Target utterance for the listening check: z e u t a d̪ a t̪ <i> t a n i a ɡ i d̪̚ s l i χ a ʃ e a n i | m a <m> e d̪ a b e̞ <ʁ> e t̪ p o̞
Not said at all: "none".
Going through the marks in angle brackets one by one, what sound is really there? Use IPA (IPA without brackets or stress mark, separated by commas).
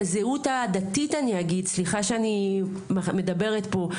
i, m, ʁ